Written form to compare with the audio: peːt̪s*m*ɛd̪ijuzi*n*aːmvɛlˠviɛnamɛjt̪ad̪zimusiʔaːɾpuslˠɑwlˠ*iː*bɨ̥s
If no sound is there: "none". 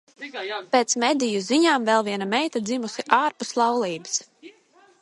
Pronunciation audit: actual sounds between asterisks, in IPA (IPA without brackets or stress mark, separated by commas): m, ɲ, iː